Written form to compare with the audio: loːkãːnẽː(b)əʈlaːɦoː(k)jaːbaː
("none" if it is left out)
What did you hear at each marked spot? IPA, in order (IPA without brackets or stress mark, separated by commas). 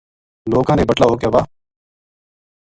b, k